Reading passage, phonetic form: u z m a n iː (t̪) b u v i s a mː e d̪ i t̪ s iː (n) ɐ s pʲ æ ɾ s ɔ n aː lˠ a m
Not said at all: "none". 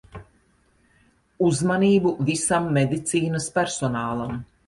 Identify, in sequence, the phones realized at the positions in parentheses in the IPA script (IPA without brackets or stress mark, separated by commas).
none, n